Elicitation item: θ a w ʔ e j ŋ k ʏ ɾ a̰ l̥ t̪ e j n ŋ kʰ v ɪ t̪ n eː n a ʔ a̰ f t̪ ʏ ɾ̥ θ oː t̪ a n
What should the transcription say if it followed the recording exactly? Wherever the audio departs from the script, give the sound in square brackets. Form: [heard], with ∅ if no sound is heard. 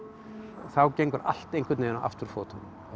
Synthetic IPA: θ a w [c] e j ŋ k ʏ ɾ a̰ l̥ t̪ e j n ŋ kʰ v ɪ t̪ n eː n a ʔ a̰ f t̪ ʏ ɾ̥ [f] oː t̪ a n